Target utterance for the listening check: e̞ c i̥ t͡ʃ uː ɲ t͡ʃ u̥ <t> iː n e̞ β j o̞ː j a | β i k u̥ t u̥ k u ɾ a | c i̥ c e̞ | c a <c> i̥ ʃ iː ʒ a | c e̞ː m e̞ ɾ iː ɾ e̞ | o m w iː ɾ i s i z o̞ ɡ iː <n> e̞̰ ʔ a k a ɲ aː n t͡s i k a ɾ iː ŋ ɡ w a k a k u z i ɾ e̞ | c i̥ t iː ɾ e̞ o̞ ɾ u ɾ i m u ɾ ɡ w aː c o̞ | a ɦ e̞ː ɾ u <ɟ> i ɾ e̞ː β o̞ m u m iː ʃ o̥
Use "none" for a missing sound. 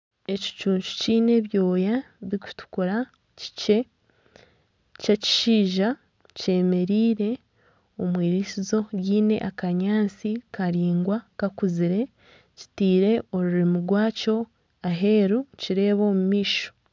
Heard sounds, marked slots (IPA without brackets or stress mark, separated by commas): c, c, n, c